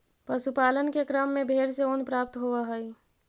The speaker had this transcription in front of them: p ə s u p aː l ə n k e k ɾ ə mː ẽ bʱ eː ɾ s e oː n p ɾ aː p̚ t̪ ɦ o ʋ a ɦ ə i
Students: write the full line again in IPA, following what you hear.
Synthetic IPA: p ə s u p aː l ə n k e k ɾ ə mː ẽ bʱ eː ɾ s e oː n p ɾ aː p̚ t̪ ɦ o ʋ a ɦ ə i